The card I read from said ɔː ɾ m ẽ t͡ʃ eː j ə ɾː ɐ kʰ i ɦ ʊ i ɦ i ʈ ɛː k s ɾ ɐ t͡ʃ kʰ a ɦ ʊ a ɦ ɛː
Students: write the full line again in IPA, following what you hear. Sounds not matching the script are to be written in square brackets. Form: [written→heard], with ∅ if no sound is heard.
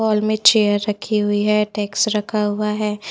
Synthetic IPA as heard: ɔː [ɾ→l] m ẽ t͡ʃ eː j ə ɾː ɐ kʰ i ɦ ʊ i ɦ [i→ɛ] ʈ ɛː k s ɾ ɐ [t͡ʃ→∅] kʰ a ɦ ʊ a ɦ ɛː